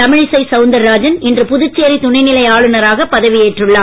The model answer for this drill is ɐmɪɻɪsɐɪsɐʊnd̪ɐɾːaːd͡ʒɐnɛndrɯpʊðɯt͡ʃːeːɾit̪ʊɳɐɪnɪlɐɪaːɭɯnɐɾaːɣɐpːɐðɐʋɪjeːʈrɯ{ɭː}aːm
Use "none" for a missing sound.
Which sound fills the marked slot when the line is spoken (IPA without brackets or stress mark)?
ɭː